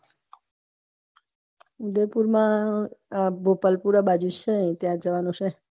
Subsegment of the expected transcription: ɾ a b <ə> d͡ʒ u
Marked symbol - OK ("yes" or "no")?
no